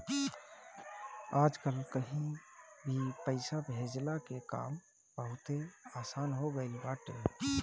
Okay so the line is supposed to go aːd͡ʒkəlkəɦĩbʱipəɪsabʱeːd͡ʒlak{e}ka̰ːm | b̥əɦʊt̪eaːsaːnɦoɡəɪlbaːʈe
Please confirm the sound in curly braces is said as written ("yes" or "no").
yes